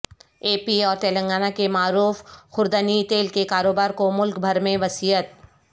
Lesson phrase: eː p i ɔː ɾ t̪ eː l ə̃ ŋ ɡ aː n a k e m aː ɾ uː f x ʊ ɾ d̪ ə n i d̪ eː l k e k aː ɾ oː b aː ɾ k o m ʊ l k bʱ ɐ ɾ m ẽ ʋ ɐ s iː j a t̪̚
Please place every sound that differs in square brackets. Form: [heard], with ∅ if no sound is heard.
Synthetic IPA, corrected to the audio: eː p i ɔː ɾ t̪ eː l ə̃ ŋ ɡ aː n a k e m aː ɾ uː f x ʊ ɾ d̪ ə n i [t̪] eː l k e k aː ɾ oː b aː ɾ k o m ʊ l k bʱ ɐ ɾ m ẽ ʋ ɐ s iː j [ə] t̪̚